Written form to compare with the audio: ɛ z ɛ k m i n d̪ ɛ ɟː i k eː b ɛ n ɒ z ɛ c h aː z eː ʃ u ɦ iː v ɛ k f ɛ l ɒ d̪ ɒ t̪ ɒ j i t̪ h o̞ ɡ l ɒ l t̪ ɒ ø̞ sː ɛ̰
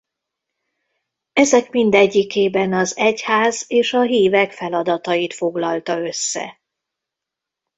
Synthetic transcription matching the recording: ɛ z ɛ k m i n d̪ ɛ ɟː i k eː b ɛ n ɒ z ɛ c h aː z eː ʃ ɒ ɦ iː v ɛ k f ɛ l ɒ d̪ ɒ t̪ ɒ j i t̪ f o̞ ɡ l ɒ l t̪ ɒ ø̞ sː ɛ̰